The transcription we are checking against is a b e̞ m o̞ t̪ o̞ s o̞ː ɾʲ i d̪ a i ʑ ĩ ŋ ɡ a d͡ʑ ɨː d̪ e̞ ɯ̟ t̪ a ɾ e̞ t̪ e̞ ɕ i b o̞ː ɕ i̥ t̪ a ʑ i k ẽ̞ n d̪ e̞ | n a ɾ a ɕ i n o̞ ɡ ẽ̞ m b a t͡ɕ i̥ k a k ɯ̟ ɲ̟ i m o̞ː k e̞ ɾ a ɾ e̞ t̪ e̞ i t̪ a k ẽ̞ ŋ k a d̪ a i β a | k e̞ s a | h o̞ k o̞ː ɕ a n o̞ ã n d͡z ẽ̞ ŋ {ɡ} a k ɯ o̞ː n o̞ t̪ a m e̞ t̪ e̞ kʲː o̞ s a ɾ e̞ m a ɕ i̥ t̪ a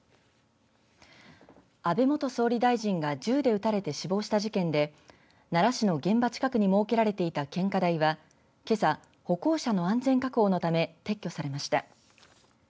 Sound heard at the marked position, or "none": k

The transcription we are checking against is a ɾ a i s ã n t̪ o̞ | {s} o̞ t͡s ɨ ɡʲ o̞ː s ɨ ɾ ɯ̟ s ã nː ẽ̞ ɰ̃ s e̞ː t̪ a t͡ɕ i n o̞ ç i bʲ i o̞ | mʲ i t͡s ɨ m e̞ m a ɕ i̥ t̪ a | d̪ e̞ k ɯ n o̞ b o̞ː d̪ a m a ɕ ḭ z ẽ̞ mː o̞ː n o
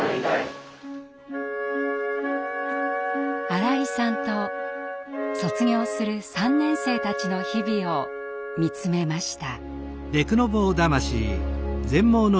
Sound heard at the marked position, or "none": s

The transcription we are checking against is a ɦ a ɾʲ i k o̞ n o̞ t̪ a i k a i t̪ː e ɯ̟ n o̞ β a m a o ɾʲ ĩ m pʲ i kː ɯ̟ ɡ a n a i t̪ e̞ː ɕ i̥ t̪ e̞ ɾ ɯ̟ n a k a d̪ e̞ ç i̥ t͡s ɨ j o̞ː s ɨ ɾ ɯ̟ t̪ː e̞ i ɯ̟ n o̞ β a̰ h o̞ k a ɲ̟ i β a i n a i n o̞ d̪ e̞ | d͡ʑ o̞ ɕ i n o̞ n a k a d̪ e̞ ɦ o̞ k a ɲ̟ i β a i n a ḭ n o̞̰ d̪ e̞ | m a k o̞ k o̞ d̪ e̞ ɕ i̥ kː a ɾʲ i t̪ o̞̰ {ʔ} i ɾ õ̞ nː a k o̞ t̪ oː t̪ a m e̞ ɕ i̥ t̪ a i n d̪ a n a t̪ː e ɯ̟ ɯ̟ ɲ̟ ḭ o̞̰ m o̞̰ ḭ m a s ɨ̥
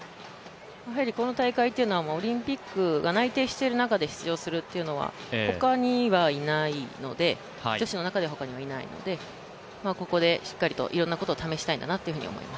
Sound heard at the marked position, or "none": ʔ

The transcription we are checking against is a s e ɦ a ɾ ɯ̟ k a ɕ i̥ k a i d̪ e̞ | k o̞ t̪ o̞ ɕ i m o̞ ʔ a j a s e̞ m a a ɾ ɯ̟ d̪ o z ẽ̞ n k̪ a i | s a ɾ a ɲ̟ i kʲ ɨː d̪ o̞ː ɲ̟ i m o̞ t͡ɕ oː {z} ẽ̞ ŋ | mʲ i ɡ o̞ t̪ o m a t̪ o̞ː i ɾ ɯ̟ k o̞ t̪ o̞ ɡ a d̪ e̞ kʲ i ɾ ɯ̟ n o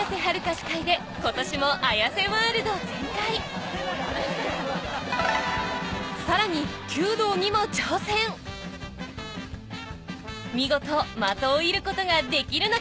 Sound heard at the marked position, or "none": s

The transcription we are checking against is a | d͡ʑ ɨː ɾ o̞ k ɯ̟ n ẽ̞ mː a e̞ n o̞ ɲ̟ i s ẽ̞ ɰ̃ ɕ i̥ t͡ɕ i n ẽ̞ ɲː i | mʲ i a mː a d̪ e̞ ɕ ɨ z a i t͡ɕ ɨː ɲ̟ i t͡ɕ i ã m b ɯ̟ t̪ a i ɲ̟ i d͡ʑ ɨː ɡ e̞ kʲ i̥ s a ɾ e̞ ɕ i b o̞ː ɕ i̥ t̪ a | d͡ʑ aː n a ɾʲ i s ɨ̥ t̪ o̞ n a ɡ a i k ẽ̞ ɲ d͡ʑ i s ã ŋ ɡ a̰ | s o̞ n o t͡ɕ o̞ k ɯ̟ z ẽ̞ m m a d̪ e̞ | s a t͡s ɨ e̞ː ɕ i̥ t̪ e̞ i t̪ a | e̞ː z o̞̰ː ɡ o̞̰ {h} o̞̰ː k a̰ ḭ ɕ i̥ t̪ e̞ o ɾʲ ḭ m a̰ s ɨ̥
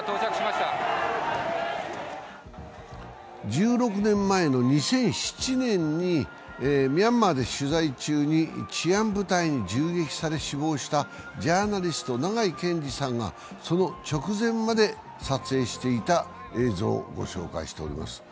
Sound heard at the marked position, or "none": ɕ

